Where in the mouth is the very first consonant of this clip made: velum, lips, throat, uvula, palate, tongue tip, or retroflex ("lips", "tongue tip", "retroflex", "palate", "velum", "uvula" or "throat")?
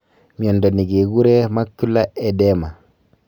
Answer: lips